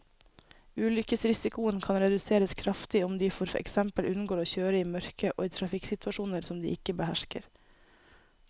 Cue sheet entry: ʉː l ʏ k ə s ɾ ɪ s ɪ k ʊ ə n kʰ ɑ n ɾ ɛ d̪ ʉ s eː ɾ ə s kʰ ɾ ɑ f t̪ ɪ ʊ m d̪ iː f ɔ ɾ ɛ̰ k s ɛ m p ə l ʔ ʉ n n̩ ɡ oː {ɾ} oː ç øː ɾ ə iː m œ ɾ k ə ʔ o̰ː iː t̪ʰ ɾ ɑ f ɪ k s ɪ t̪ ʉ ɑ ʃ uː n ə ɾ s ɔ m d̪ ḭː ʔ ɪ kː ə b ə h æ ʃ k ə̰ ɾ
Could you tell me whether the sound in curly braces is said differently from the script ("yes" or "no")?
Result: no